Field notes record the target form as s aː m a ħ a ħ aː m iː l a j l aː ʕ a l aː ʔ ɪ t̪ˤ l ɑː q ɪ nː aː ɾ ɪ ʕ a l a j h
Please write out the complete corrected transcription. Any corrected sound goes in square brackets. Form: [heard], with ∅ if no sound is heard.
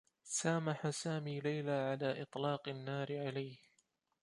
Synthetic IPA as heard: s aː m a ħ a [s] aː m iː l a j l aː ʕ a l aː ʔ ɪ t̪ˤ l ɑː q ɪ nː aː ɾ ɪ ʕ a l a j h